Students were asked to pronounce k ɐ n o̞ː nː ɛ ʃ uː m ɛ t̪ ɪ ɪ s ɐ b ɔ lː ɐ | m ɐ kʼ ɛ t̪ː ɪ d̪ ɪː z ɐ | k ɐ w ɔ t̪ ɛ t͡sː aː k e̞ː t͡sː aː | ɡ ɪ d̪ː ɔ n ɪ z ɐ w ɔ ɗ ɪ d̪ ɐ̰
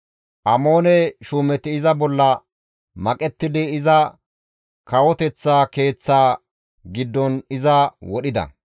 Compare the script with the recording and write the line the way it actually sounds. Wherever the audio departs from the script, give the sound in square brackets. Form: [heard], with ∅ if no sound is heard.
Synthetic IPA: [ʔ] ɐ [m] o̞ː [n] ɛ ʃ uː m ɛ t̪ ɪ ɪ [z] ɐ b ɔ lː ɐ | m ɐ kʼ ɛ t̪ː ɪ d̪ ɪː z ɐ | k ɐ w ɔ t̪ ɛ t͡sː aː k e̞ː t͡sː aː | ɡ ɪ d̪ː ɔ n ɪ z ɐ w ɔ ɗ ɪ d̪ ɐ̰